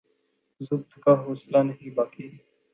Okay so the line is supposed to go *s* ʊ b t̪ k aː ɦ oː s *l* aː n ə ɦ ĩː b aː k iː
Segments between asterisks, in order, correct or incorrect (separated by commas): incorrect, correct